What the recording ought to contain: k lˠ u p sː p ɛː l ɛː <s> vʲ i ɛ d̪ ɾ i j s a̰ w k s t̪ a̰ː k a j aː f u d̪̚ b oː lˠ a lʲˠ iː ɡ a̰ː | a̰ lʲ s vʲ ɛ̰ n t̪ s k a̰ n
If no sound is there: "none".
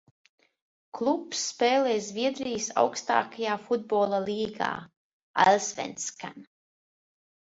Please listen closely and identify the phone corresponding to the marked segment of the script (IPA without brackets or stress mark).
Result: z